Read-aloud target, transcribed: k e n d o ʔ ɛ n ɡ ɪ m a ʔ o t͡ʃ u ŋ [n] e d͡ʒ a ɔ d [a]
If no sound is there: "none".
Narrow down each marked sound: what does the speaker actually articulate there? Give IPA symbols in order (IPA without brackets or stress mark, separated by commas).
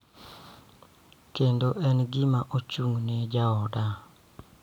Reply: n, a